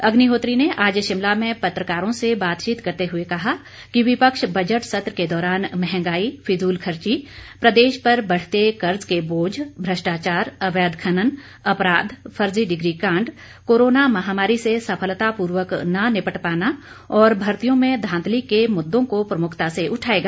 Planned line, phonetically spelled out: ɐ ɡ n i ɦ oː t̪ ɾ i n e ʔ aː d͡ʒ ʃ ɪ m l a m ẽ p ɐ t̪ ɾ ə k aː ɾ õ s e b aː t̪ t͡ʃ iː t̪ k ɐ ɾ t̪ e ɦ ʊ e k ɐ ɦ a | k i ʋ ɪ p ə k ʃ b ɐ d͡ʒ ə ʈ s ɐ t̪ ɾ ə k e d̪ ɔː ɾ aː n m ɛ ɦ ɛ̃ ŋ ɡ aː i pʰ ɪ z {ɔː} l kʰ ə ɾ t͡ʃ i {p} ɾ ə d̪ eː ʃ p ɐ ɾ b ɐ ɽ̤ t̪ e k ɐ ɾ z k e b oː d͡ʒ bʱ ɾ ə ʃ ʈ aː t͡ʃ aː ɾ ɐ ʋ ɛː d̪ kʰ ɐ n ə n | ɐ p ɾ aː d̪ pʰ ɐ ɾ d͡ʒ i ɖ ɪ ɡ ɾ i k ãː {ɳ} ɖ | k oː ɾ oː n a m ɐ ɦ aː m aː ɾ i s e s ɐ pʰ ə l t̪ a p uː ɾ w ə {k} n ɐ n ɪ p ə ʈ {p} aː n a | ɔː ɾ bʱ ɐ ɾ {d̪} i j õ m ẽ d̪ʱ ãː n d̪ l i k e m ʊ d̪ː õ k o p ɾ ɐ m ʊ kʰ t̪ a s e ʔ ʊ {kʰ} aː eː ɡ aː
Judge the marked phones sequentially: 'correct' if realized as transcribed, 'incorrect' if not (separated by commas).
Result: incorrect, correct, correct, correct, correct, incorrect, incorrect